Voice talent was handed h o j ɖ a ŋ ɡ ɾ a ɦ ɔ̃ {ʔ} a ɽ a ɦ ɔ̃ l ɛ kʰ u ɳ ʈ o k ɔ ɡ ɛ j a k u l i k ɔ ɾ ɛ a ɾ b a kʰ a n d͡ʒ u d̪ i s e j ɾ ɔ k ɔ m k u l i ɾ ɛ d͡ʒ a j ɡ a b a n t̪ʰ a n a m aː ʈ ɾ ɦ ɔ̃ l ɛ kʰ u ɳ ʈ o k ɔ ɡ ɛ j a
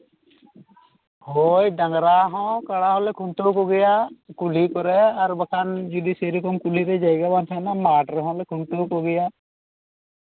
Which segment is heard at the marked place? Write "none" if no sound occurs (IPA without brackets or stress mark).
k